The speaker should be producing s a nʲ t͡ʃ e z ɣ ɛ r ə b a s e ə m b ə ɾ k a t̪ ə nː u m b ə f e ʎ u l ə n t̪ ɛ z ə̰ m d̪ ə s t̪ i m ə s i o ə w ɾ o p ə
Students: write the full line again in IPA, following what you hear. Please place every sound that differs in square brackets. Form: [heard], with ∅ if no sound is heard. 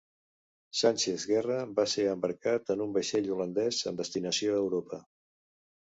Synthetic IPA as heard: s a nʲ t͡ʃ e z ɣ ɛ r ə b a s e ə m b ə ɾ k a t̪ ə [n] u m b ə [ʃ] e ʎ u l ə n [d̪] ɛ z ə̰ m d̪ ə s t̪ i [n] ə s i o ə w ɾ o p ə